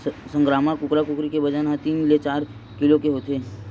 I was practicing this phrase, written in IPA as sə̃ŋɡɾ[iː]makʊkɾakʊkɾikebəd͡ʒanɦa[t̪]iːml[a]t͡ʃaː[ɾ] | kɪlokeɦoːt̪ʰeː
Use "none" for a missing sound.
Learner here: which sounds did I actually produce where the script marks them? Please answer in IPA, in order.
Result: aː, t̪, e, ɾ

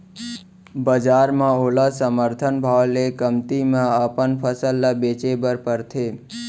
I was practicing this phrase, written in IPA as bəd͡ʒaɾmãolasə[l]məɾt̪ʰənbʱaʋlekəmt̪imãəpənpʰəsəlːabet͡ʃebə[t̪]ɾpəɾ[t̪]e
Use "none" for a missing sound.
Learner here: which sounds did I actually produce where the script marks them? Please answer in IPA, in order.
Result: none, none, t̪ʰ

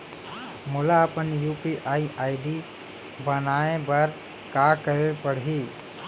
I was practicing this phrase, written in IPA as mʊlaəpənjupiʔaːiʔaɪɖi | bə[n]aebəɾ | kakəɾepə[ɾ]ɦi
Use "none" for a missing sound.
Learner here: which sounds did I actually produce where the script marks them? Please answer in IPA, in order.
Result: n, ɽ

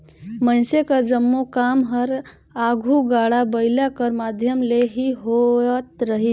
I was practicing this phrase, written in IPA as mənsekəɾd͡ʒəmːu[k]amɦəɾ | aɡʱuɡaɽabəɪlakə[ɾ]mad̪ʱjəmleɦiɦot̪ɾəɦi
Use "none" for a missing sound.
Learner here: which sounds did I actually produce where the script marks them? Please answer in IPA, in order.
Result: k, ɾ

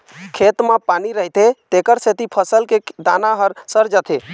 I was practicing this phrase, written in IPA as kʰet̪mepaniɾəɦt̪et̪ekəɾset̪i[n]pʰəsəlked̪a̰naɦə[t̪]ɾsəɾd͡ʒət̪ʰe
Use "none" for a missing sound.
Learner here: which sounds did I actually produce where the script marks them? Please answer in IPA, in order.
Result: none, none

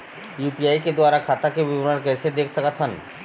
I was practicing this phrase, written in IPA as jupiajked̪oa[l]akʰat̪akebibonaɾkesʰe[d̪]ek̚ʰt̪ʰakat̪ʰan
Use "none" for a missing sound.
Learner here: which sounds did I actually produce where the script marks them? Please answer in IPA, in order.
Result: ɾ, d̪

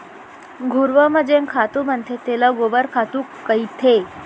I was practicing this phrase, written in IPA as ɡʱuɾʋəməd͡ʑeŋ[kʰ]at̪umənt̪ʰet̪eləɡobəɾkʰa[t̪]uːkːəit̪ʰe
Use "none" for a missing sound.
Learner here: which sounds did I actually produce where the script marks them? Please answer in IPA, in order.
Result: kʰ, t̪

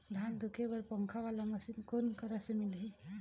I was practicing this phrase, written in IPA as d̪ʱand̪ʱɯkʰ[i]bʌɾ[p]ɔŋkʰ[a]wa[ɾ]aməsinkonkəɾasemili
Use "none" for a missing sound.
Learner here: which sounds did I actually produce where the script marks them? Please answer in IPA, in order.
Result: e, p, a, l

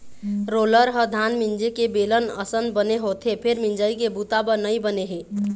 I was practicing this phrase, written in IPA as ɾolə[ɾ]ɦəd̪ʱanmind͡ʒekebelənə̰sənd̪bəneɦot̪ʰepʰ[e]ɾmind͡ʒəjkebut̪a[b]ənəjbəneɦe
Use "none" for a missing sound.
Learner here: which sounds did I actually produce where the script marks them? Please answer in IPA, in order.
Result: ɾ, e, b

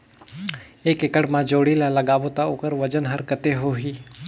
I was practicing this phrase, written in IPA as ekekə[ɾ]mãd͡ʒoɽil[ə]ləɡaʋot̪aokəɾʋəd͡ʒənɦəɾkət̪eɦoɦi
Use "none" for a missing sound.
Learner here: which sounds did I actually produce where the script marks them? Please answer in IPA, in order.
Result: ɽ, a

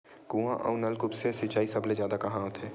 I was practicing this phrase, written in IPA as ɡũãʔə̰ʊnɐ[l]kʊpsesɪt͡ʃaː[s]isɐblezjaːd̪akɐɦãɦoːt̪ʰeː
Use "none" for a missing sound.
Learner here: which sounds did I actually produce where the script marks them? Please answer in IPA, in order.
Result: l, none

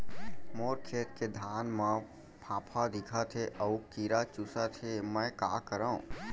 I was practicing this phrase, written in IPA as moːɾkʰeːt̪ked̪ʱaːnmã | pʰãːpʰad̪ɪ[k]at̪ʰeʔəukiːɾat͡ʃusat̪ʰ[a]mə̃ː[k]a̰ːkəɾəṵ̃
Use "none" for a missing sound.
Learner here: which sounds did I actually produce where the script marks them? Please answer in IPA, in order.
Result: kʰ, e, k

